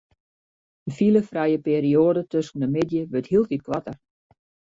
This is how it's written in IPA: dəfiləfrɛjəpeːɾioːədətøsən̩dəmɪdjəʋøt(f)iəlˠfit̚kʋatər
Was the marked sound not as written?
yes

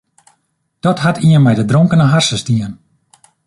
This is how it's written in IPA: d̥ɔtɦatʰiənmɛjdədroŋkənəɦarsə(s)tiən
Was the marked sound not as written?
no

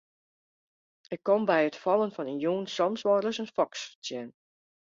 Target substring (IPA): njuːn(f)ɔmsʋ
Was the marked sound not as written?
yes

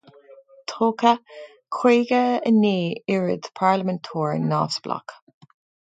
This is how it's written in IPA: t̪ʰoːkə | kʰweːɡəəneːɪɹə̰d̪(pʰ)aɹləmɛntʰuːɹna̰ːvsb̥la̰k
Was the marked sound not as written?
no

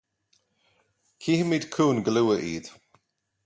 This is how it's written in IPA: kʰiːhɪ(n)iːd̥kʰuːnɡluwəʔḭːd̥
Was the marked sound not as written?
yes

